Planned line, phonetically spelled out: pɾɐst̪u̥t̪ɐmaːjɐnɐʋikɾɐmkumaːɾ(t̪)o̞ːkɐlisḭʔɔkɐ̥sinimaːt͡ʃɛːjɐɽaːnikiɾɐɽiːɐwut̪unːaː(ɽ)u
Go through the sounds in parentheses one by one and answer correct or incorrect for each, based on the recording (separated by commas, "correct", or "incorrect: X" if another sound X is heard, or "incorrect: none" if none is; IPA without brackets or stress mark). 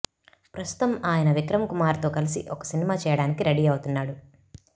correct, correct